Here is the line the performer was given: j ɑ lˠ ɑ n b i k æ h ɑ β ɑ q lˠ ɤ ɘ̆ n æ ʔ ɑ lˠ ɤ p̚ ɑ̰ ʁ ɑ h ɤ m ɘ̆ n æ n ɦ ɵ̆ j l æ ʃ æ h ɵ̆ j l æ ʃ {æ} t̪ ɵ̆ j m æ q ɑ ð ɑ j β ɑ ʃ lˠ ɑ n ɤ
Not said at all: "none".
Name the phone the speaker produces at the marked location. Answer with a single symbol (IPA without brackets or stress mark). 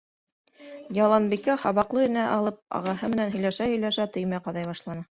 æ